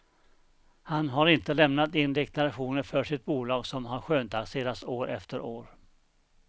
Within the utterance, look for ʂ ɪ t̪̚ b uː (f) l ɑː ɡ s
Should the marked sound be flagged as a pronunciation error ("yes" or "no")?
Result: yes